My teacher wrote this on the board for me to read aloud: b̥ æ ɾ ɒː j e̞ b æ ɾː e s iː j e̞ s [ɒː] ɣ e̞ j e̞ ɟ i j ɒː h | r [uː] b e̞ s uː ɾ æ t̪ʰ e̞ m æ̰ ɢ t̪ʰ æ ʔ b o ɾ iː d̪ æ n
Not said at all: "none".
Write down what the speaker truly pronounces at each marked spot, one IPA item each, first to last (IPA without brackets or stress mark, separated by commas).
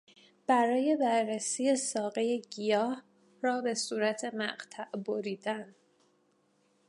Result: ɒː, ɒː